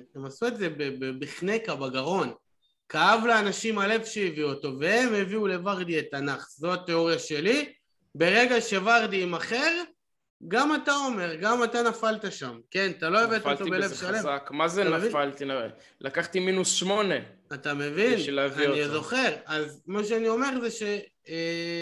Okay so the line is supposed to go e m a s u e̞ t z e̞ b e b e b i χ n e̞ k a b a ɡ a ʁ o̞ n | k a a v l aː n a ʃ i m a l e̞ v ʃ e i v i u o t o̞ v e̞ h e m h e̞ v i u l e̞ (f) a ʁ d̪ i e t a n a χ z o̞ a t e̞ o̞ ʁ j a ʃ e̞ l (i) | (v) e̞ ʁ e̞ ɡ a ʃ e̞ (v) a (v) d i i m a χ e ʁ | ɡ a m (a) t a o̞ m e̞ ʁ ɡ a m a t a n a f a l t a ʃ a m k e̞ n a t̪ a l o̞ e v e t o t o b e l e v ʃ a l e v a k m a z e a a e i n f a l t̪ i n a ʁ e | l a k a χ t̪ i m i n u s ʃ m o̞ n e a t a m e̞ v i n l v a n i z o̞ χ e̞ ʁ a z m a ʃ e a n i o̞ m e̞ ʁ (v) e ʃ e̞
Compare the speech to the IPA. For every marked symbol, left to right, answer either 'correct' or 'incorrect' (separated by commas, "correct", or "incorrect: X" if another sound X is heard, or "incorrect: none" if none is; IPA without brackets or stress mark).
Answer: incorrect: v, correct, incorrect: b, correct, incorrect: ʁ, correct, incorrect: z